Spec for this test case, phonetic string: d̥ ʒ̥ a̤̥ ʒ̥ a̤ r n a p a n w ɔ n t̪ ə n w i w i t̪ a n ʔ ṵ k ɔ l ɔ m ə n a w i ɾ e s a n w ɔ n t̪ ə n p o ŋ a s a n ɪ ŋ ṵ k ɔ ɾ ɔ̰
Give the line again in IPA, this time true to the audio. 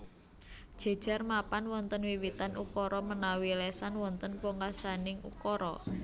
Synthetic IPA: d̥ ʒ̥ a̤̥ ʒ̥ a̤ r m a p a n w ɔ n t̪ ə n w i w i t̪ a n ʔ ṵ k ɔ ɾ ɔ m ə n a w i l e s a n w ɔ n t̪ ə n p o ŋ a s a n ɪ ŋ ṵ k ɔ ɾ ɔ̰

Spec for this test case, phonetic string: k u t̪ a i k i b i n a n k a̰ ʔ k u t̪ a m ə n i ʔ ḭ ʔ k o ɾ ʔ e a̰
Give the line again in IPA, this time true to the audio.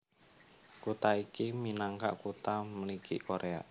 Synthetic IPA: k u t̪ a i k i m i n a ŋ k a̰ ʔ k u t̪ a m ə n i k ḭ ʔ k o ɾ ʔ e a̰

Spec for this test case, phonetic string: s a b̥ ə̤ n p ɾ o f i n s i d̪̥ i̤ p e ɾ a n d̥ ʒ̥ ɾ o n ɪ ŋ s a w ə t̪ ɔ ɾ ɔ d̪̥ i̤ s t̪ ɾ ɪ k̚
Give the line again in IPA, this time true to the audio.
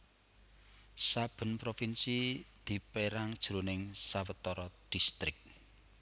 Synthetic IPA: s a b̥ ə̤ n p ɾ o f i n s i d̪̥ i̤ p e ɾ a ŋ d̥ ʒ̥ ɾ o n ɪ ŋ s a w ə t̪ ɔ ɾ ɔ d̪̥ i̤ s t̪ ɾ ɪ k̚

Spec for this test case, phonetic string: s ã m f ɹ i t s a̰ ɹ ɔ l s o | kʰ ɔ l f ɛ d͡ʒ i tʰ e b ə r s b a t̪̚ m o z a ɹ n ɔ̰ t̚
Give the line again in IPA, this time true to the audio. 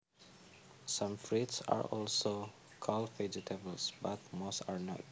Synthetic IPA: s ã m f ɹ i t s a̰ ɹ ɔ l s o | kʰ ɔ l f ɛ d͡ʒ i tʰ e b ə l s b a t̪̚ m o s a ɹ n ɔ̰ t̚

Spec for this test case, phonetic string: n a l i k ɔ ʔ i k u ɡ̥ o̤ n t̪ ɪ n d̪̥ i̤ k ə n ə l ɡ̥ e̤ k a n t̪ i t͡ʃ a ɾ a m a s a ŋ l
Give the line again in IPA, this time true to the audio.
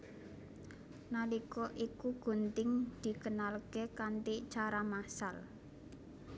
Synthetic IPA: n a l i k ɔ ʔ i k u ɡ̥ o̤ n t̪ ɪ ŋ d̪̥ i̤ k ə n a l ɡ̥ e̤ k a n t̪ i t͡ʃ a ɾ a m a s a l

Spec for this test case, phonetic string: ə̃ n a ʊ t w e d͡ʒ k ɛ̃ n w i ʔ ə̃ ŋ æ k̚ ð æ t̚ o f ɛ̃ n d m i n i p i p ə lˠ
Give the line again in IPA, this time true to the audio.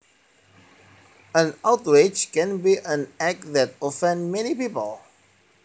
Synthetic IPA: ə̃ n a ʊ t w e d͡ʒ k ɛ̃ n b i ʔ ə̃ n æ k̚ ð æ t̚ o f ɛ̃ n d m ɛ n i p i p ə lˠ

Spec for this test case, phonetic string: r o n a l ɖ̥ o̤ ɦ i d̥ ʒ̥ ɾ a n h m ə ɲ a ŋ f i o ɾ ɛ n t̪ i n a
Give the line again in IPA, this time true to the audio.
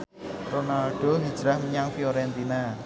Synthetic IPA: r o n a l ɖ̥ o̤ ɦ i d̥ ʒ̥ ɾ a h m ə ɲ a ŋ f i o ɾ ɛ n t̪ i n a

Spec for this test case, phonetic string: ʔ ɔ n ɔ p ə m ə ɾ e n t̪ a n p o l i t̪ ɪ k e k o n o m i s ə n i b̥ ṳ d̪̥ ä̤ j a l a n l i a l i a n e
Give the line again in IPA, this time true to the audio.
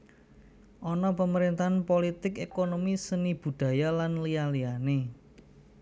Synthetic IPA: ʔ ɔ n ɔ p ə m ə ɾ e n t̪ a n p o l i t̪ ɪ k e k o n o m i s ə n i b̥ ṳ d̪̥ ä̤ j a l a n l i a l i a n e

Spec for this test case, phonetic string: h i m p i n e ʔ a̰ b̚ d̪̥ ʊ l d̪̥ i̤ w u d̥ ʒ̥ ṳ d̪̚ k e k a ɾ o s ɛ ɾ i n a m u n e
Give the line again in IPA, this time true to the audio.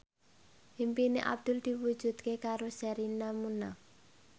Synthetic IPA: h i m p i n e ʔ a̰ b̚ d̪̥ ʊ l d̪̥ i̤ w u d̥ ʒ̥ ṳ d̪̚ k e k a ɾ o s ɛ ɾ i n a m u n a

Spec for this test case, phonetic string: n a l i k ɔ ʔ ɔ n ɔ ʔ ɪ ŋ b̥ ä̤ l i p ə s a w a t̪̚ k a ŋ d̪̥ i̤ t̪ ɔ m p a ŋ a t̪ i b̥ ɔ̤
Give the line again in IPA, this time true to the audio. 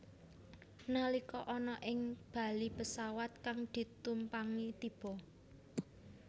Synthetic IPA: n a l i k ɔ ʔ ɔ n ɔ ʔ ɪ ŋ b̥ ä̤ l i p ə s a w a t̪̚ k a ŋ d̪̥ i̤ t̪ u m p a ŋ i t̪ i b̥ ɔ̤

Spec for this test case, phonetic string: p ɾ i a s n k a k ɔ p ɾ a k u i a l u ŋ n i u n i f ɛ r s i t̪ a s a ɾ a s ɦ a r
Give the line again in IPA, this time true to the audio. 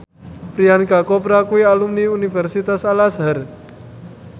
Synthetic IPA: p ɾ i a n k a k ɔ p ɾ a k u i a l u m n i u n i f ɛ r s i t̪ a s a l a s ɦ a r

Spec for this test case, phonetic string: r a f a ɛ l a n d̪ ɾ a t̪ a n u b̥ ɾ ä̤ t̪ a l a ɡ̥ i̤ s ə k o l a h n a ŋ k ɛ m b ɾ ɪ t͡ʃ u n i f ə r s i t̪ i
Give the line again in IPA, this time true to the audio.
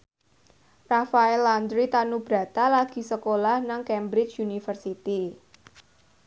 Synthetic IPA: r a f a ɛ l a n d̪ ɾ i t̪ a n u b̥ ɾ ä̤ t̪ a l a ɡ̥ i̤ s ə k o l a h n a ŋ k ɛ m b ɾ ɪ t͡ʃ u n i f ə r s i t̪ i

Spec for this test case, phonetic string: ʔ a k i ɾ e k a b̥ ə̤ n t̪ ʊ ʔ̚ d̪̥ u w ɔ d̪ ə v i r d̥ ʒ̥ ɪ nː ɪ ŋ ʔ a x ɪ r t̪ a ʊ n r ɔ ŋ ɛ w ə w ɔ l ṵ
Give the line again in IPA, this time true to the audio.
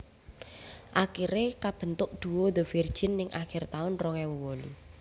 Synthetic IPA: ʔ a k i ɾ e k a b̥ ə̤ n t̪ ʊ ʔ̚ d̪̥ u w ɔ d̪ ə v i r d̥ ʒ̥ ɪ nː ɪ ŋ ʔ a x ɪ r t̪ a ʊ n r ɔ ŋ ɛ w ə w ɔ l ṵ

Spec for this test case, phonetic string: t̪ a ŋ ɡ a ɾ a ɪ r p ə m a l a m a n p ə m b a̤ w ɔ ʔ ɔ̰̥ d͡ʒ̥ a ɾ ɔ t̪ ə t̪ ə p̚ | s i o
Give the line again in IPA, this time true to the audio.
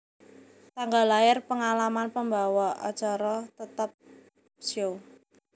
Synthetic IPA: t̪ a ŋ ɡ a l a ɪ r p ə ŋ a l a m a n p ə m b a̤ w ɔ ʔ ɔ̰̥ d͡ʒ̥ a ɾ ɔ t̪ ə t̪ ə p̚ | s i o

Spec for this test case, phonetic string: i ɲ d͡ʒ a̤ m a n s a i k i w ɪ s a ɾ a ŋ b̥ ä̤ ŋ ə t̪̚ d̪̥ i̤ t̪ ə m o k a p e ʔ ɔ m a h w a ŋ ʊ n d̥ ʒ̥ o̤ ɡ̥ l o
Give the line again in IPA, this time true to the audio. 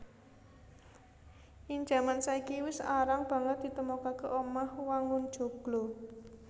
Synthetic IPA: i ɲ d͡ʒ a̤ m a n s a i k i w ɪ s a ɾ a ŋ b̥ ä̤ ŋ ə t̪̚ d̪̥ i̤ t̪ ə m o k a k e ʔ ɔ m a h w a ŋ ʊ n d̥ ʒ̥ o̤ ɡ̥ l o

